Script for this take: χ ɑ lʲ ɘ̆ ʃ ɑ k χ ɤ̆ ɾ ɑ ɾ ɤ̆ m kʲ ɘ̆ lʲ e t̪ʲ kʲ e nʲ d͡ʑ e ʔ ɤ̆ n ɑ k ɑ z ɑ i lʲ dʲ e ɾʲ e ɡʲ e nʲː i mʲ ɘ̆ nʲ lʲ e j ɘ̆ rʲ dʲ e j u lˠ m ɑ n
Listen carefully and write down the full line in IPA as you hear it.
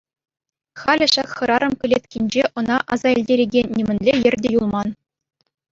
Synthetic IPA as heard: χ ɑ lʲ ɘ̆ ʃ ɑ k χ ɤ̆ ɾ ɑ ɾ ɤ̆ m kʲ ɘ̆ lʲ e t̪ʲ kʲ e nʲ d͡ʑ e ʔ ɤ̆ n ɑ ʔ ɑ z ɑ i lʲ dʲ e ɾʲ e ɡʲ e nʲː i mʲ ɘ̆ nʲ lʲ e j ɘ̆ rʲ dʲ e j u lˠ m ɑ n